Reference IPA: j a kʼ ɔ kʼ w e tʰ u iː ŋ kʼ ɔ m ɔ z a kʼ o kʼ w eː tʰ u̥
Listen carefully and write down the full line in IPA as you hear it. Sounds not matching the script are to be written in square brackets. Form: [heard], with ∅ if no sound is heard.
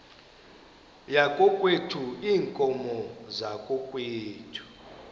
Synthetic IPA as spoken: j a kʼ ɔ kʼ w e tʰ u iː ŋ kʼ ɔ m ɔ z a kʼ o kʼ w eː tʰ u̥